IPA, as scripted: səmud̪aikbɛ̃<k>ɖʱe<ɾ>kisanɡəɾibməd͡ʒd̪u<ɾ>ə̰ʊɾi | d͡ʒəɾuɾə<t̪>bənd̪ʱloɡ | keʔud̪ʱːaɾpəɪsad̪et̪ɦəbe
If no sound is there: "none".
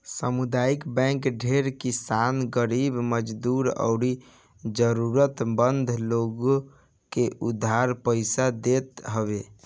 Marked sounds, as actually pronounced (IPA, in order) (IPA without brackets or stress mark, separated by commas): k, ɾ, ɾ, t̪